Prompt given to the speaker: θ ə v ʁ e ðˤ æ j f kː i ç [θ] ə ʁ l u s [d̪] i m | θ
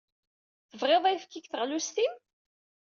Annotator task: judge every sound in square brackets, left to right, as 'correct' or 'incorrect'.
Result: correct, incorrect: t̪

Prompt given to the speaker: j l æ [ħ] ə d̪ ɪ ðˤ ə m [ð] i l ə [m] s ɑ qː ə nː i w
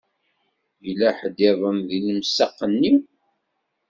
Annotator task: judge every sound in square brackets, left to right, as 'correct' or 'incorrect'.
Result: correct, correct, correct

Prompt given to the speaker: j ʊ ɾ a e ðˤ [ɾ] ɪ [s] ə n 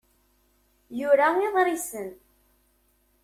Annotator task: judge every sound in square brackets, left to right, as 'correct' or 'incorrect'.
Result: correct, correct

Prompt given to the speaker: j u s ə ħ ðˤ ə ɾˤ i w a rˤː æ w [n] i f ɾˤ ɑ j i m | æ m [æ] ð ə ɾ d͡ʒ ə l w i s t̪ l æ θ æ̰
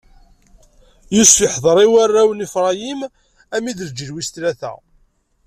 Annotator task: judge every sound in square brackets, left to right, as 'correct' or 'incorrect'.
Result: correct, incorrect: i

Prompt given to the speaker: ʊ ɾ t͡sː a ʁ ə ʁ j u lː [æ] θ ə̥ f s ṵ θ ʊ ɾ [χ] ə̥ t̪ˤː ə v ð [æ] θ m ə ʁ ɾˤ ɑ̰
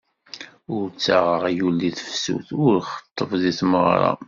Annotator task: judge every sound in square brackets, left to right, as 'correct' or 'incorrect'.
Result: incorrect: i, correct, incorrect: i

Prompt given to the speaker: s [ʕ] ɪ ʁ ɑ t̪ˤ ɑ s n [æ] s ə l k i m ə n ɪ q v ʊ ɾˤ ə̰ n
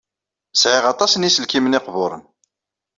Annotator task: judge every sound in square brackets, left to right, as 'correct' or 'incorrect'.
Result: correct, incorrect: i

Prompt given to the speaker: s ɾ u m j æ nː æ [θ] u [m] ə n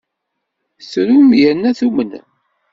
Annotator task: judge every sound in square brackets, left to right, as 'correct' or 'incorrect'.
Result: correct, correct

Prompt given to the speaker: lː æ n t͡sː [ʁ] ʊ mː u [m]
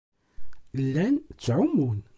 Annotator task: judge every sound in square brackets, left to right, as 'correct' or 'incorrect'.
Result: incorrect: ʕ, incorrect: n

